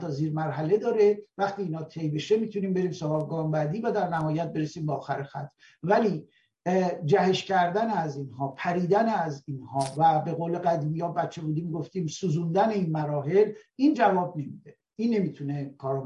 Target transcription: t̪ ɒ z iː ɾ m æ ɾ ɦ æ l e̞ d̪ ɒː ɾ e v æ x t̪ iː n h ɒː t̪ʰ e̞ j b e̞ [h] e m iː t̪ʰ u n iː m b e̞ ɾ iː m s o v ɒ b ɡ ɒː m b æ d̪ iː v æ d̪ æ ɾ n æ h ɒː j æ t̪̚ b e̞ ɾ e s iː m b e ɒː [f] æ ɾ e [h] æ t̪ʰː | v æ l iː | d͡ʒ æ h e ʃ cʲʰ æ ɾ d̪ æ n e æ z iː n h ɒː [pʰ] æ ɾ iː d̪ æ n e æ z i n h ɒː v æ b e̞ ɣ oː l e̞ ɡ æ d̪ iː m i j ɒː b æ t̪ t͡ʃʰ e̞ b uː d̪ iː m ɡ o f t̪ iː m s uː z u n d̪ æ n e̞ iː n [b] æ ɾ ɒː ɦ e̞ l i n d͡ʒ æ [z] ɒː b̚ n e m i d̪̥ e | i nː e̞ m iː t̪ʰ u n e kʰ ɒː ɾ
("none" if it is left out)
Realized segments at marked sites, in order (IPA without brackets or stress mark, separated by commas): ʃ, x, x, pʰ, m, v